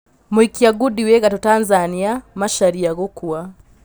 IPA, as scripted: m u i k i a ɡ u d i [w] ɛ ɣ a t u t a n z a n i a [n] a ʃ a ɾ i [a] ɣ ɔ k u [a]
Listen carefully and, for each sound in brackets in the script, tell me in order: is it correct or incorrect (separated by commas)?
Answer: correct, incorrect, correct, correct